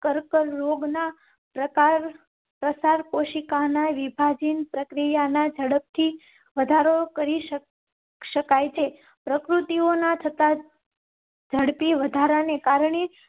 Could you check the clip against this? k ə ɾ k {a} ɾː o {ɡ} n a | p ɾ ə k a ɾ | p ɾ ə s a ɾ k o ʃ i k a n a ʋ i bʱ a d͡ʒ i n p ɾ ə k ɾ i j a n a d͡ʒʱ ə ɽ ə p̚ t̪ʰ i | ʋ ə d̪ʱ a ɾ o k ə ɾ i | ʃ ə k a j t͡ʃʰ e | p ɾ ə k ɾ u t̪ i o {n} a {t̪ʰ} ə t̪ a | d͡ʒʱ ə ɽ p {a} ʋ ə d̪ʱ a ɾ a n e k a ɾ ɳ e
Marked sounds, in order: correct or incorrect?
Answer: incorrect, correct, correct, correct, incorrect

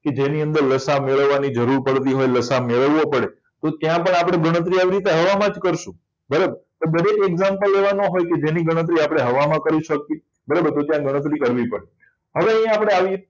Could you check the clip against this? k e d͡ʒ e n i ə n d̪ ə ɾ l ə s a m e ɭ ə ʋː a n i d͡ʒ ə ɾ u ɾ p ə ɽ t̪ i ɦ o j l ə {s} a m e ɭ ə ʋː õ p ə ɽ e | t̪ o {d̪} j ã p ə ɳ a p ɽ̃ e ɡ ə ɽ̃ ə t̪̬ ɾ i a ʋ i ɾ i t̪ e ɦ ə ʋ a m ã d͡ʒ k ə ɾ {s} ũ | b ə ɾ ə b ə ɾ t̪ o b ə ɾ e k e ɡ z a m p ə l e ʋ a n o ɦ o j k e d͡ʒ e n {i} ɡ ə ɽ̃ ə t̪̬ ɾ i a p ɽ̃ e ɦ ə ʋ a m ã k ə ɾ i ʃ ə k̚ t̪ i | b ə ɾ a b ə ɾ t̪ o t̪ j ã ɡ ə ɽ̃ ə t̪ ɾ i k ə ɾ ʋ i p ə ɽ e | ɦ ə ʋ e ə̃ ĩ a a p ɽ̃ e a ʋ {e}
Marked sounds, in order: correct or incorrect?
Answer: correct, incorrect, incorrect, correct, incorrect

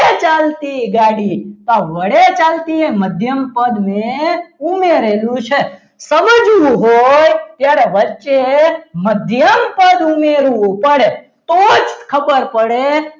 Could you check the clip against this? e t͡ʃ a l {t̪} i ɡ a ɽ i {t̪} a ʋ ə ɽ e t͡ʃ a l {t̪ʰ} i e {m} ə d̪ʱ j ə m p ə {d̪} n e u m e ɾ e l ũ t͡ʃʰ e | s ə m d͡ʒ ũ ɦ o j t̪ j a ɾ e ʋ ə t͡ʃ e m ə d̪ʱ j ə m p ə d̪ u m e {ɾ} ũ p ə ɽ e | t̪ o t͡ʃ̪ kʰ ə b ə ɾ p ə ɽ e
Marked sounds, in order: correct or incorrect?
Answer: correct, correct, incorrect, correct, correct, correct

